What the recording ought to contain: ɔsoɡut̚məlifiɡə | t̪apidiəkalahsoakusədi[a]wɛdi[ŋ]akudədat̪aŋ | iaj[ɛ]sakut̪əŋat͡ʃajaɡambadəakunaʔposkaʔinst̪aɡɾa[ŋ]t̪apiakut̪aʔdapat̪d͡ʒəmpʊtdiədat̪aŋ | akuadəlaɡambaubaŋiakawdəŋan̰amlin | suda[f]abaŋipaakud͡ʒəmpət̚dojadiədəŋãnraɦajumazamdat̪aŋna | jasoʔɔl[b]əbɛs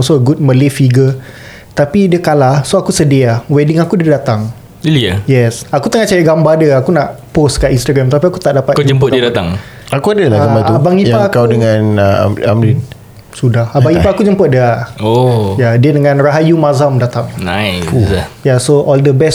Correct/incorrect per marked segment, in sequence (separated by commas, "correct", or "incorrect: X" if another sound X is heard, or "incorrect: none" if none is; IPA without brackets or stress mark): correct, correct, correct, incorrect: m, incorrect: h, incorrect: d